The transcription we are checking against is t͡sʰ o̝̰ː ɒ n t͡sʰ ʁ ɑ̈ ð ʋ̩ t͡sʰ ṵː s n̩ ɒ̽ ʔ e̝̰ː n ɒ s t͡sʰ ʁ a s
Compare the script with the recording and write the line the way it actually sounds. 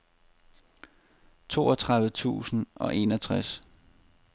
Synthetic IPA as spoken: t͡sʰ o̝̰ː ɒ t͡sʰ ʁ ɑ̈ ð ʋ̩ t͡sʰ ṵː s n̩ ɒ̽ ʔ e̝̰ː n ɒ t͡sʰ ʁ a s